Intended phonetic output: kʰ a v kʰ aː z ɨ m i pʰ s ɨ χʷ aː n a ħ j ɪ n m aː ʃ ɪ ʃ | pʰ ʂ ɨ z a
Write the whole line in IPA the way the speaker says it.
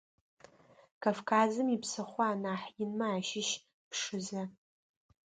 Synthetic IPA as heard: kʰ a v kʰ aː z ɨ m i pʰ s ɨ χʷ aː n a ħ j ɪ n m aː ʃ ɪ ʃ | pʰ ʂ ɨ z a